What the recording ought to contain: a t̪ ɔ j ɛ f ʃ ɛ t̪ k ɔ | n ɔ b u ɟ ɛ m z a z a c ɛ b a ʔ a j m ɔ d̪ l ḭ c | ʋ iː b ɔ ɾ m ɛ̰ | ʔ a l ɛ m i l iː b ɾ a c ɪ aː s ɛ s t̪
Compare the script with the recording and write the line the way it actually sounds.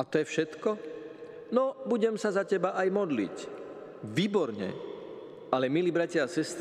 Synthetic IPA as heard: a t̪ ɔ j ɛ f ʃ ɛ t̪ k ɔ | n ɔ b u ɟ ɛ m s a z a c ɛ b a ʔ a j m ɔ d̪ l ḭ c | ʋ iː b ɔ ɾ ɲ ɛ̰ | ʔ a l ɛ m i l iː b ɾ a c ɪ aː s ɛ s t̪